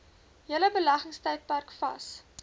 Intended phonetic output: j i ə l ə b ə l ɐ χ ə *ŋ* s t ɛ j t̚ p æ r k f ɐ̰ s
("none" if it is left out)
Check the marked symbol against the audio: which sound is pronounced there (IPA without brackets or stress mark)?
ŋ